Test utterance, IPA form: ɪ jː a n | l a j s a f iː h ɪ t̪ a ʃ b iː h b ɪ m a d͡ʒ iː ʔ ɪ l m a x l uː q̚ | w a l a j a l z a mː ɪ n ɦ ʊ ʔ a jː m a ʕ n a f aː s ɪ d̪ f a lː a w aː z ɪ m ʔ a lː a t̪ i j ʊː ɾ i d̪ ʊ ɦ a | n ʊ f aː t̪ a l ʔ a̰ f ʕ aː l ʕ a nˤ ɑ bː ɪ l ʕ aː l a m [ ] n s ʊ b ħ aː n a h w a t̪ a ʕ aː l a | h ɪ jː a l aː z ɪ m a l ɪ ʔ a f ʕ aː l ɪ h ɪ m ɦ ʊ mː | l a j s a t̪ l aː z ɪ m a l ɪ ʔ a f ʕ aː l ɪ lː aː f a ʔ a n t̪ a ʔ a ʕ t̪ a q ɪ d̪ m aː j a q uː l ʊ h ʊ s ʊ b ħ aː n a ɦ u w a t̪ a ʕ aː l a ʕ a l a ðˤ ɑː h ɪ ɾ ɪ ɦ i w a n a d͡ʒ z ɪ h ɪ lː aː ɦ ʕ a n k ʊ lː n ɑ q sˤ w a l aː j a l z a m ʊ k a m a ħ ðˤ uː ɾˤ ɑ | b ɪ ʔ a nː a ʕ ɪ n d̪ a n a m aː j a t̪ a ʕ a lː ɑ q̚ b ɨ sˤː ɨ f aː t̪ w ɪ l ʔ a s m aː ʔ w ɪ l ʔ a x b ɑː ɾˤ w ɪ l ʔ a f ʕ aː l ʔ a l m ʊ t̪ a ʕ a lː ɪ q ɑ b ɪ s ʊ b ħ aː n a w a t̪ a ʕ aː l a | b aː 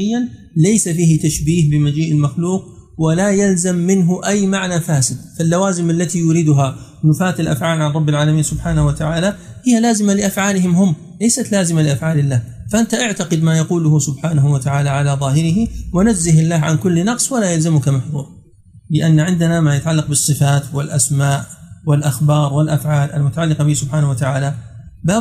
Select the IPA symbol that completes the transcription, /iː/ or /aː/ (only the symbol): iː